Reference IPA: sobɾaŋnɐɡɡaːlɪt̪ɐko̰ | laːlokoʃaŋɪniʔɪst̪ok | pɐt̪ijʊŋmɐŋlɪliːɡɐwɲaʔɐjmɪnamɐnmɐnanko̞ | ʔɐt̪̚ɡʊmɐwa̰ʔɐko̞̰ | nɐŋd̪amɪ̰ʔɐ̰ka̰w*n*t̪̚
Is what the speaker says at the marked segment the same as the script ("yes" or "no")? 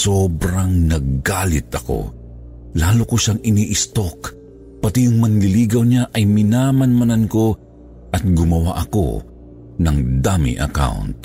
yes